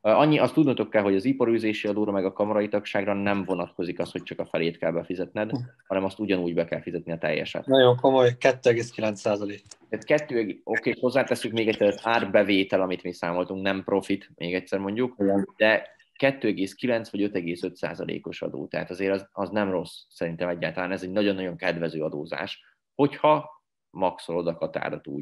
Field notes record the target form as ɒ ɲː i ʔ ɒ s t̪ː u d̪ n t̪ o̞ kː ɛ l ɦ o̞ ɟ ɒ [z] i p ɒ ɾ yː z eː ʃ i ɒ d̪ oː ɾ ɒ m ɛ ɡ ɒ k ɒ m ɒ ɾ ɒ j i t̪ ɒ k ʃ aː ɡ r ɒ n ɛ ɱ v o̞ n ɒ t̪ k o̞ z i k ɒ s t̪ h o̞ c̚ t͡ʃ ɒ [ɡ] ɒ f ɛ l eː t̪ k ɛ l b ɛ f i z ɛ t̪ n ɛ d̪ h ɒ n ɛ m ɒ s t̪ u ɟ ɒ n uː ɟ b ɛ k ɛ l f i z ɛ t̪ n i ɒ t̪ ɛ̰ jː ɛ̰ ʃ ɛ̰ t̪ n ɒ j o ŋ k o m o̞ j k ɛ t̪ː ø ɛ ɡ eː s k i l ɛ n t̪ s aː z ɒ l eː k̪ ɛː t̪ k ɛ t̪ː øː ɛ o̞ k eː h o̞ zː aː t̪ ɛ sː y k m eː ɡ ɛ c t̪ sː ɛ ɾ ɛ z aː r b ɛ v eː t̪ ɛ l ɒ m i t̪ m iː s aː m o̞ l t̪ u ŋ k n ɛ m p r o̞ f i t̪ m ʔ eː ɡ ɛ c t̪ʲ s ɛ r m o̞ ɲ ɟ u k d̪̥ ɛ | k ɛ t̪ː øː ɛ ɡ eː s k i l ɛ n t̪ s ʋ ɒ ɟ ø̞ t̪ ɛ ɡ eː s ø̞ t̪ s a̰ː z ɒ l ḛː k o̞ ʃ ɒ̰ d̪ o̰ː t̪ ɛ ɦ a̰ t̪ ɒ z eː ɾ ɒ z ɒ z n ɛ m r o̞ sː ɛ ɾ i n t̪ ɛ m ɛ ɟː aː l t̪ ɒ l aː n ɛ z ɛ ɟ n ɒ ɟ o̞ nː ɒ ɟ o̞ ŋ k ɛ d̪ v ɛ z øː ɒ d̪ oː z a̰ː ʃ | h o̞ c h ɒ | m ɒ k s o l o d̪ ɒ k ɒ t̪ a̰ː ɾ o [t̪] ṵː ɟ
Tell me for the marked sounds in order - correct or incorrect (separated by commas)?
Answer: correct, incorrect, correct